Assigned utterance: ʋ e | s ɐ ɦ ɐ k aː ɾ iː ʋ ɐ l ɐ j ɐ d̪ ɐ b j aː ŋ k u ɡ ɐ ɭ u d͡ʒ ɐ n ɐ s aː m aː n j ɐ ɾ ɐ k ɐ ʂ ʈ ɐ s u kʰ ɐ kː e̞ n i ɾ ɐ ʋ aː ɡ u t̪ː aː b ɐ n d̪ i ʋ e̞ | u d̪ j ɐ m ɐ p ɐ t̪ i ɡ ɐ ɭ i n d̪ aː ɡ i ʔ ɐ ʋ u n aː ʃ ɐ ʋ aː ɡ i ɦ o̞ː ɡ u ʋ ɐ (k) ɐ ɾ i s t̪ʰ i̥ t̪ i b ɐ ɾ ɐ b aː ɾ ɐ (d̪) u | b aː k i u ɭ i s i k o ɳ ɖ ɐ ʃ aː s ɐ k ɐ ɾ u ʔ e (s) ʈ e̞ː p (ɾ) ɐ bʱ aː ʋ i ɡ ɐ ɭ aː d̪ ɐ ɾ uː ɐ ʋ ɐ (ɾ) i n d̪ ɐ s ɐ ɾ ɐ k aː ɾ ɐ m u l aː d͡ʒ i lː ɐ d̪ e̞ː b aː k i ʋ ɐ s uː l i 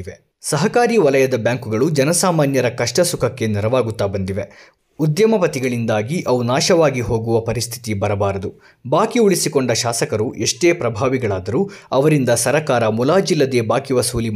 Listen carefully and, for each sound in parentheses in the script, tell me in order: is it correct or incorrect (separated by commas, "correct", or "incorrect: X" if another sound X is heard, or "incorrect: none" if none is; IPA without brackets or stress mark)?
incorrect: p, correct, incorrect: ʂ, correct, correct